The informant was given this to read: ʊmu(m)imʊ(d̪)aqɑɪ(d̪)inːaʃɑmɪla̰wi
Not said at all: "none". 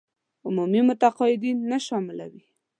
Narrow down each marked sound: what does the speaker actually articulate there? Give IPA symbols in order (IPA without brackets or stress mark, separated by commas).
m, t̪, d̪